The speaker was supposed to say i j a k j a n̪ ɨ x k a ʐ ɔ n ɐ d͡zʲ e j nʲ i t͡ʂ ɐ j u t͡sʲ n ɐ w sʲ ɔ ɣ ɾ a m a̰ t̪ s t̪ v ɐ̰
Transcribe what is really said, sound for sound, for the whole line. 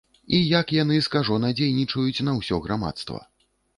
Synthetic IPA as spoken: i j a k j a n̪ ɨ s k a ʐ ɔ n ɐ d͡zʲ e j nʲ i t͡ʂ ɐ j u t͡sʲ n ɐ w sʲ ɔ ɣ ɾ a m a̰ t̪ s t̪ v ɐ̰